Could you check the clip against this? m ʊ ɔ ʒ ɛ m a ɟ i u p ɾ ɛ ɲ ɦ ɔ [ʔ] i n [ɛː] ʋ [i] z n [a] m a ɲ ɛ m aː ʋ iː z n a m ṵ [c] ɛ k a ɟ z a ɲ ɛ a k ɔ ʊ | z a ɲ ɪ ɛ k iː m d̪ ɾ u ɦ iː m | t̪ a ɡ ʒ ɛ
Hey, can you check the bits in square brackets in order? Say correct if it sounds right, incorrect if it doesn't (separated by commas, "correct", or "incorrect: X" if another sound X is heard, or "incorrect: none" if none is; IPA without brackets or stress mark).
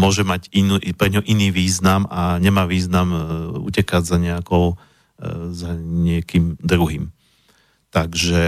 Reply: correct, incorrect: iː, incorrect: iː, correct, correct